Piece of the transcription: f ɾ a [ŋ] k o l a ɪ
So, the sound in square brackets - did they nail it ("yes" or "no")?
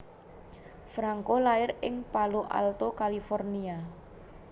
yes